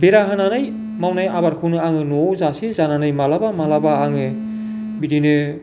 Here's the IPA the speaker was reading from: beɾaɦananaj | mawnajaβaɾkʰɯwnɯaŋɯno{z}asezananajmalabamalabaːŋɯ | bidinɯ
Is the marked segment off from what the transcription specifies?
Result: no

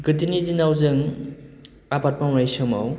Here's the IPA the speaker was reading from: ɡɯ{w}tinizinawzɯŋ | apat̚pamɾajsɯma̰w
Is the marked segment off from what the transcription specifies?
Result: yes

